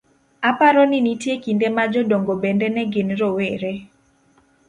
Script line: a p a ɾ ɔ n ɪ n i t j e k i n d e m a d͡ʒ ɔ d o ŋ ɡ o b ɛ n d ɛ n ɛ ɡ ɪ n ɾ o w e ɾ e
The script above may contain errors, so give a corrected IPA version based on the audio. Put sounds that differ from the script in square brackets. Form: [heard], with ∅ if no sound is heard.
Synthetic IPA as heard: a p a ɾ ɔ n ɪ n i t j e k i n d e m a d͡ʒ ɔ d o ŋ ɡ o b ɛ n d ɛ n ɛ ɡ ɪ n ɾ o w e ɾ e